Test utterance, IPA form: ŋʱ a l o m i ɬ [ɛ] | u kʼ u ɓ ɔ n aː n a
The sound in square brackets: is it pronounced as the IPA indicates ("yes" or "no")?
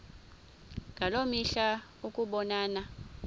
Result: no